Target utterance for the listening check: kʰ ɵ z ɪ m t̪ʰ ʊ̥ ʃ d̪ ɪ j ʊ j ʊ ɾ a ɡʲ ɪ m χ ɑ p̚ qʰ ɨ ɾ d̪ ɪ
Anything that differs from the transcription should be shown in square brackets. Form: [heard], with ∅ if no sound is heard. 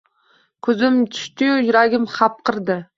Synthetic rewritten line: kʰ ɵ z ɪ m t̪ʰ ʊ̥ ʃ [t̪] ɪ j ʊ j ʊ ɾ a ɡʲ ɪ m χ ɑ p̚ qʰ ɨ ɾ d̪ ɪ